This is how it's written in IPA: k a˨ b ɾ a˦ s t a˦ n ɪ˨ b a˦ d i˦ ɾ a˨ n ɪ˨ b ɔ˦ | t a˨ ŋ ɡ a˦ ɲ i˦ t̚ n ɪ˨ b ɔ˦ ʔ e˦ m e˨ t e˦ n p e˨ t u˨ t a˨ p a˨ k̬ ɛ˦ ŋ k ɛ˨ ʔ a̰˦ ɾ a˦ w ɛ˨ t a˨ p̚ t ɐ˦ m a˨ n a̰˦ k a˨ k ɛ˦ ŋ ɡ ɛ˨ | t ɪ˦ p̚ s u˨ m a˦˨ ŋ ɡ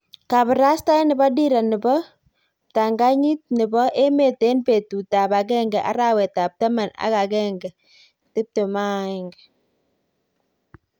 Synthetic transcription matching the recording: k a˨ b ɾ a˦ s t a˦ n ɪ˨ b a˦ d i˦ ɾ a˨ n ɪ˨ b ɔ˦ | t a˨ ŋ ɡ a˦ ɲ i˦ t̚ n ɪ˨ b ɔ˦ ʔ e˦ m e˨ t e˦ n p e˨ t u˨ t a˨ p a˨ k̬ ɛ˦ ŋ ɡ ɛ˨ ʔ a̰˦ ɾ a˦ w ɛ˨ t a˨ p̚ t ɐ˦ m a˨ n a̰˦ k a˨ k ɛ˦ ŋ ɡ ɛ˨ | t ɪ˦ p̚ t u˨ m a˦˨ ŋ ɡ